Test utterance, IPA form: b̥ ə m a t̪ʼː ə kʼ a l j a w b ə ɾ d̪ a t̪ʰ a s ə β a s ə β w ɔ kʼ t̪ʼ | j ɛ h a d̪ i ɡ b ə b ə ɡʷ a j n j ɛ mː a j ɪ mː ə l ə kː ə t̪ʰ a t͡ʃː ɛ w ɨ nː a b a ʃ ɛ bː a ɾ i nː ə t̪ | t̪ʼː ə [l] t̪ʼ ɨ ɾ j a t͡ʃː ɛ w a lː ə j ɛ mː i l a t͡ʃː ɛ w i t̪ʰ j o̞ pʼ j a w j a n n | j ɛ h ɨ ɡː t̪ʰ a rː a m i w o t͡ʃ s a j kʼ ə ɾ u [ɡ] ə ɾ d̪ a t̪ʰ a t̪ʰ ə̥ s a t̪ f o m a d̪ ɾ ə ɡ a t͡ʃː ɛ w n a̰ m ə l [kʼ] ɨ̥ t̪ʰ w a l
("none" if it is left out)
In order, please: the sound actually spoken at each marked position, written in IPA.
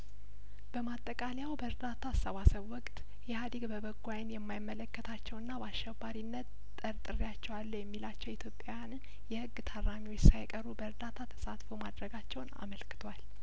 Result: ɾ, b, k

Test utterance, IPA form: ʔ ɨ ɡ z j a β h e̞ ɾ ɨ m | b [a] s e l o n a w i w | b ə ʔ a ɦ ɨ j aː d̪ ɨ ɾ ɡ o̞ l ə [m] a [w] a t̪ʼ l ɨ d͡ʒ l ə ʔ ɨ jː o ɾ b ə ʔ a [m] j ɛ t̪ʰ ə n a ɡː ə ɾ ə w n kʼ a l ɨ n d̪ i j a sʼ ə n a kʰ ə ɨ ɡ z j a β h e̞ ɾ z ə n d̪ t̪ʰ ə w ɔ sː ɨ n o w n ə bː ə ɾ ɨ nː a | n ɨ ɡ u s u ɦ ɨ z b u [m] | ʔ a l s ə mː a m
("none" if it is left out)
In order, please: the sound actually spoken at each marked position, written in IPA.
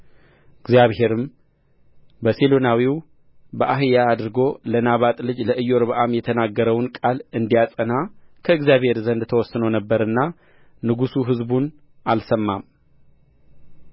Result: ə, n, β, m, n

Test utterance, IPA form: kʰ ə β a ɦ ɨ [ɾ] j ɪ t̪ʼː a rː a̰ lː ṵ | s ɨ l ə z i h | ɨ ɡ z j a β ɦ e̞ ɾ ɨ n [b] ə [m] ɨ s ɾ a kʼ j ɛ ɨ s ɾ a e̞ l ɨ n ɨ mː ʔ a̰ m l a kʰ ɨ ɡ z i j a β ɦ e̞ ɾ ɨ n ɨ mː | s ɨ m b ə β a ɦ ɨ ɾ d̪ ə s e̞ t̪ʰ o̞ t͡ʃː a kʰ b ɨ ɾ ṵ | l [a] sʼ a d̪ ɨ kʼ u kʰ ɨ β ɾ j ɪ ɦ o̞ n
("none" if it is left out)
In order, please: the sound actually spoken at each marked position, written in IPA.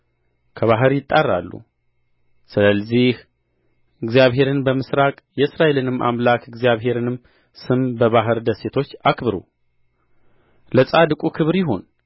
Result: ɾ, b, m, ə

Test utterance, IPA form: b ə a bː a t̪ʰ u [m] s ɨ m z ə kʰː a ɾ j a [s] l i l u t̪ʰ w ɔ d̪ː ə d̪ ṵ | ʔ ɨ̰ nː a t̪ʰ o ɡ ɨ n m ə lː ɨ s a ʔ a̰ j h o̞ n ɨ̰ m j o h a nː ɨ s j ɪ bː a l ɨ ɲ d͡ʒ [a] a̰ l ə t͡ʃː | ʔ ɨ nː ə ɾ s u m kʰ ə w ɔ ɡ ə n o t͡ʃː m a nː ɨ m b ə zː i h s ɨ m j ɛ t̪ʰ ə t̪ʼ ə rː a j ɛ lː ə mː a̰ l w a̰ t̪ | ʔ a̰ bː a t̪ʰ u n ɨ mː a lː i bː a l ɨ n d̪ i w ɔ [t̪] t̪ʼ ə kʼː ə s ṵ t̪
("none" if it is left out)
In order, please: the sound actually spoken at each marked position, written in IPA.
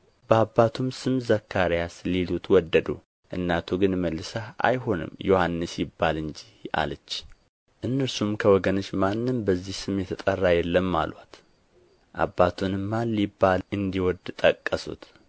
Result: m, s, i, d̪

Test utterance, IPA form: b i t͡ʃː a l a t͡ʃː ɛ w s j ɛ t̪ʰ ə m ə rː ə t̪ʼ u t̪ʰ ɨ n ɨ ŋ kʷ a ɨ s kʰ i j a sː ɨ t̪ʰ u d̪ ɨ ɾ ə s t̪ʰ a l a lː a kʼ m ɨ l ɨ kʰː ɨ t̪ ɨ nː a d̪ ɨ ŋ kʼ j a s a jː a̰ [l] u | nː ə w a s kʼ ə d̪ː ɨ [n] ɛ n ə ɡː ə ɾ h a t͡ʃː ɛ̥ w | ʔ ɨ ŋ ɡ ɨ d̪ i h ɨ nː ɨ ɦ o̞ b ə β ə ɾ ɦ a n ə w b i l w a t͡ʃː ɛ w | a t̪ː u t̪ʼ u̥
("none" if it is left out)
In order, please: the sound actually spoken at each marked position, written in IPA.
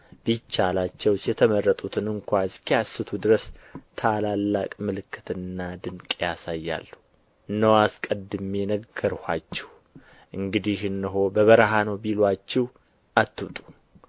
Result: lː, m

